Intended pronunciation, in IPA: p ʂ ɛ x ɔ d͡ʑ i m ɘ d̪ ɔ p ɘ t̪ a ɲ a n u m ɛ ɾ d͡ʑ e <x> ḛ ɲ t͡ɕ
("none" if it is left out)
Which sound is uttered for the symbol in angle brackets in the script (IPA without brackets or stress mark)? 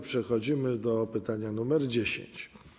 ɕ